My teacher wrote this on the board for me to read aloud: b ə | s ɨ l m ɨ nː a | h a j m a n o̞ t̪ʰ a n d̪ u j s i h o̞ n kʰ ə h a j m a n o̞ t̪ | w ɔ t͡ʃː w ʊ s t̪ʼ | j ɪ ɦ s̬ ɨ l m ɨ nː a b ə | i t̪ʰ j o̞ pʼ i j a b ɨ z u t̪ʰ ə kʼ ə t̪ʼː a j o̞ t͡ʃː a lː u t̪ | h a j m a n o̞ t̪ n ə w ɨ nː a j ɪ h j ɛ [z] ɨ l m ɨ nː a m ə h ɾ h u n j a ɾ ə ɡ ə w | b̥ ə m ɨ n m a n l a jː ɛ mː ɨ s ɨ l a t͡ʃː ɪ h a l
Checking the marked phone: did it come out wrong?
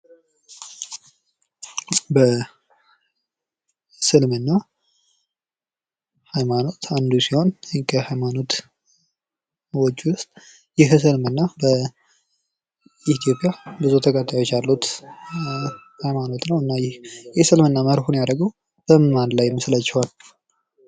yes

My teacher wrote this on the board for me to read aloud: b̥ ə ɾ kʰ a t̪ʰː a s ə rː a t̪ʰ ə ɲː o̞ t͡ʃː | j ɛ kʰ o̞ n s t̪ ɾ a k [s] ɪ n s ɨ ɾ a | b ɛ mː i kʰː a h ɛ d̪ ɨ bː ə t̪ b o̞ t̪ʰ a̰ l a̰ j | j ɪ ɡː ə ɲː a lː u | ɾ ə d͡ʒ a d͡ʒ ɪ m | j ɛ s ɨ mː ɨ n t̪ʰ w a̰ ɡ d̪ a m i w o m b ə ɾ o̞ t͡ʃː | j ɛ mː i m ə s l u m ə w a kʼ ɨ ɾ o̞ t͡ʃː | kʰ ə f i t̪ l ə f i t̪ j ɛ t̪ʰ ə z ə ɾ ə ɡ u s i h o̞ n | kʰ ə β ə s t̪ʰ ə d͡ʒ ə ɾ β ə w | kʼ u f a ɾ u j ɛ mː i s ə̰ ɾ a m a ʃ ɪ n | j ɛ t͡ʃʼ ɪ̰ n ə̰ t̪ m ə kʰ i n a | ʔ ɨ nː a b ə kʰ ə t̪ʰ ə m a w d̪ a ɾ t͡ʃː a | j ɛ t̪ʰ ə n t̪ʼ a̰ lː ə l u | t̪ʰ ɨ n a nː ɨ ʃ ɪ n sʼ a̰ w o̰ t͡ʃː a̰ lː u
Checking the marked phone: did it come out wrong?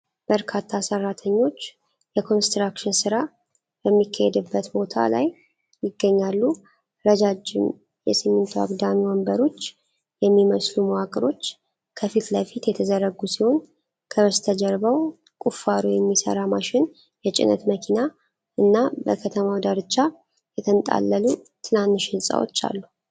yes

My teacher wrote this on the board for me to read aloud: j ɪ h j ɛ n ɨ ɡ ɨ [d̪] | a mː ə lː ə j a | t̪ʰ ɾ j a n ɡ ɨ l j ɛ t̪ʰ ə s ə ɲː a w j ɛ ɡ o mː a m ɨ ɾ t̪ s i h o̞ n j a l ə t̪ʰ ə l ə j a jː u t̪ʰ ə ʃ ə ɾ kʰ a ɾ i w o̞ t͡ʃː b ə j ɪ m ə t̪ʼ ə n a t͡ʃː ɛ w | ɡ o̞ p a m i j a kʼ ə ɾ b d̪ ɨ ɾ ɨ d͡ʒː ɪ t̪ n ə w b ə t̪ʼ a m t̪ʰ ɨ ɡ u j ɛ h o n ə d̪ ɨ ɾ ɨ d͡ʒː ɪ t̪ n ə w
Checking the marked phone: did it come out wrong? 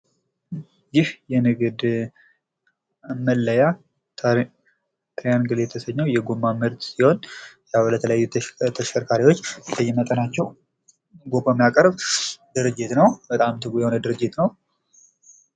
no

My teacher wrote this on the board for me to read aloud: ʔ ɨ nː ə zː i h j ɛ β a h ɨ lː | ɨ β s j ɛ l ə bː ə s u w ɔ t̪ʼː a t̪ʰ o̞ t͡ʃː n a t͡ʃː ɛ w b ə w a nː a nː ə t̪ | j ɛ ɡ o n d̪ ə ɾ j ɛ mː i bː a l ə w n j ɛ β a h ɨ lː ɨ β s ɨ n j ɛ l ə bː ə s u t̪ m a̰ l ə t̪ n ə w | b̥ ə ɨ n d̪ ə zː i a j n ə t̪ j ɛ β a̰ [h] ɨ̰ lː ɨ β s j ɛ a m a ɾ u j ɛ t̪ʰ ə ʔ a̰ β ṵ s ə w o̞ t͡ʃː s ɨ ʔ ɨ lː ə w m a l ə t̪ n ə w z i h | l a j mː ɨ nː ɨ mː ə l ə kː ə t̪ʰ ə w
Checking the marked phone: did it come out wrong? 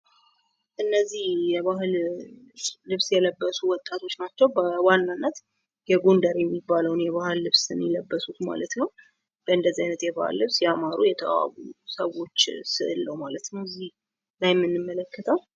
no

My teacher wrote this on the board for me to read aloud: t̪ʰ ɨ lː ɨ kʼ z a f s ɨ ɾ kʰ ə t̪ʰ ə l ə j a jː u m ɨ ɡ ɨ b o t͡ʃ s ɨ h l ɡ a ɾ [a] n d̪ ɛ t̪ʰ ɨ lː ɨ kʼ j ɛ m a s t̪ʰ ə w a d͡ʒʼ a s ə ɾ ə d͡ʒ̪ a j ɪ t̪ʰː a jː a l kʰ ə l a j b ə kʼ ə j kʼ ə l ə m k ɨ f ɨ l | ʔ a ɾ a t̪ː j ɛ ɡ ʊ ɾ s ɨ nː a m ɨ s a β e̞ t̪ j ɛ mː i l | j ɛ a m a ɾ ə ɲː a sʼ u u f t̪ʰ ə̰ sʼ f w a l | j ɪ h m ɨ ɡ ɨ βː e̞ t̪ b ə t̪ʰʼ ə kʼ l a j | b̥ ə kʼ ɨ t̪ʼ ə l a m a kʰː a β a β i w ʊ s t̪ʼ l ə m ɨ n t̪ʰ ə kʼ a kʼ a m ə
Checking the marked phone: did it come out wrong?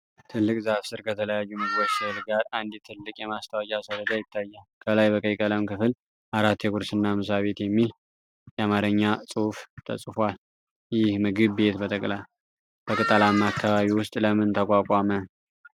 no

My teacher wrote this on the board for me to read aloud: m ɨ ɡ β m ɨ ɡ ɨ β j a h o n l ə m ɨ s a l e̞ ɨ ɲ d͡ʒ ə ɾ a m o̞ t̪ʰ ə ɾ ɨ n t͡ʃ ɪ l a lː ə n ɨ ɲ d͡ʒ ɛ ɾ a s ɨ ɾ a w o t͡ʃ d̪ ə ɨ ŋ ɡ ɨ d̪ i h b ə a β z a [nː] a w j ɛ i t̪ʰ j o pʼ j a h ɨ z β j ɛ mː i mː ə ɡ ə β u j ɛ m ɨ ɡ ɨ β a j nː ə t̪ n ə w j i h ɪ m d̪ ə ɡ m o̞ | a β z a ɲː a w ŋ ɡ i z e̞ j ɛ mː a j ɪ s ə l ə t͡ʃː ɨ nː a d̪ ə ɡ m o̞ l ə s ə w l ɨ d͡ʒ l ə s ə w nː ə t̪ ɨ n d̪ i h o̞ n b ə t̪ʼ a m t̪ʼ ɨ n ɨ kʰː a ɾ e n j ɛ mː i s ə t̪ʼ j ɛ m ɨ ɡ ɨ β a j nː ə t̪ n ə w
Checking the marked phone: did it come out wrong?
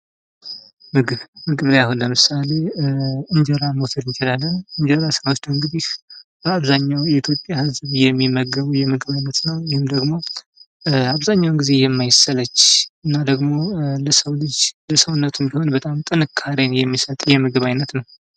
yes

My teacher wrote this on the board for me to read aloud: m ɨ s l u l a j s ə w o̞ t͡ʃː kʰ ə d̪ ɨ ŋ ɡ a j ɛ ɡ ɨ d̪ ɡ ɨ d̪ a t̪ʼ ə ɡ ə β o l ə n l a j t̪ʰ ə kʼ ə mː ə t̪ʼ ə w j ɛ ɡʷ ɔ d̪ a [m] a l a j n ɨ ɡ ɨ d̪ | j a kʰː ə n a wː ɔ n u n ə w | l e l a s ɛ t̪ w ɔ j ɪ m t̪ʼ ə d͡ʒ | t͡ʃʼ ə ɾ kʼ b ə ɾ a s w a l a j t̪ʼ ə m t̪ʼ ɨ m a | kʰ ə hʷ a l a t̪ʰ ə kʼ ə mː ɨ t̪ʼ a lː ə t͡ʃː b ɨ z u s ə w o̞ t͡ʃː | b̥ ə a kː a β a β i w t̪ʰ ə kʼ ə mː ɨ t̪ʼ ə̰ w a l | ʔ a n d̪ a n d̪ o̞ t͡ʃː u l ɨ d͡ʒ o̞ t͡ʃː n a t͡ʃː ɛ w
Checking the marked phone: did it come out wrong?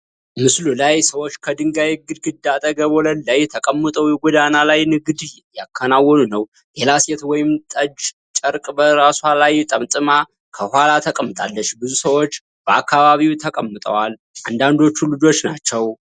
yes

